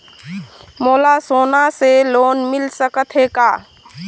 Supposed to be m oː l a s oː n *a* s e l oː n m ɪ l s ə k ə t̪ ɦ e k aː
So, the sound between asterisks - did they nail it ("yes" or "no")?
yes